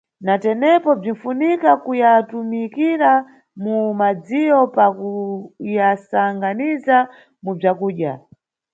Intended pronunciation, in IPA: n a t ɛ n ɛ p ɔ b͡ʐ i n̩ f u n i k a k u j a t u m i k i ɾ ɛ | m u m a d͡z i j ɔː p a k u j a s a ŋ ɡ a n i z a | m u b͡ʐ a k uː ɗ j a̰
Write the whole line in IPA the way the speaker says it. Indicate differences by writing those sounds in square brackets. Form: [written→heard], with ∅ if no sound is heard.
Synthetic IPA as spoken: n a t ɛ n ɛ p ɔ b͡ʐ i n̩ f u n i k a k u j a t u m i k i ɾ [ɛ→a] | m u m a d͡z i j [ɔː→ɔ] p a k u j a s a ŋ ɡ a n i z a | m u b͡ʐ a k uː ɗ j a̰